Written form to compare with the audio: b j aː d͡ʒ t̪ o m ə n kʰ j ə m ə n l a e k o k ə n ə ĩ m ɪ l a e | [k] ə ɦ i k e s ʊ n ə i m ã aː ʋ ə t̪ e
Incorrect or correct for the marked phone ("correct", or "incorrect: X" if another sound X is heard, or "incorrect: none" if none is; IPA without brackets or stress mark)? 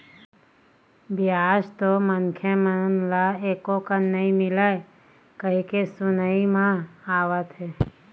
correct